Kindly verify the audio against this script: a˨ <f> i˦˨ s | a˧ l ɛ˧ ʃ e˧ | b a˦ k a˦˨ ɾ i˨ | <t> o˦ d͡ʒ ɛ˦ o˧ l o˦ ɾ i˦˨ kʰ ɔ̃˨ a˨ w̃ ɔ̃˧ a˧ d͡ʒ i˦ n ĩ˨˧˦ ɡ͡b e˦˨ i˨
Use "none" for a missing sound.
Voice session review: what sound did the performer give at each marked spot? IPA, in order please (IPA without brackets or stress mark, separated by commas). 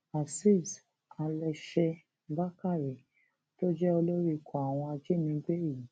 s, t